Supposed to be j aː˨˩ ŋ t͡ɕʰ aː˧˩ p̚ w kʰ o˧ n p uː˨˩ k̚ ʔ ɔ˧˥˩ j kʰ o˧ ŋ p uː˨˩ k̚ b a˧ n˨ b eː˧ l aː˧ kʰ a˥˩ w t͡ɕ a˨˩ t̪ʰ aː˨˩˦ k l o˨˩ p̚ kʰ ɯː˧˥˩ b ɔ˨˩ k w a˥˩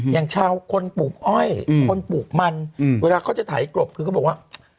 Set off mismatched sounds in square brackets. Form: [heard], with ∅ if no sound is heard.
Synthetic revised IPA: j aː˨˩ ŋ t͡ɕʰ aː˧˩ [∅] w kʰ o˧ n p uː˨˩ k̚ ʔ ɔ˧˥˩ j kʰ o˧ [n] p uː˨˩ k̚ [m] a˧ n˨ [w] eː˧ l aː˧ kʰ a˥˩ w t͡ɕ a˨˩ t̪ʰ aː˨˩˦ k l o˨˩ p̚ kʰ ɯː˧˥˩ b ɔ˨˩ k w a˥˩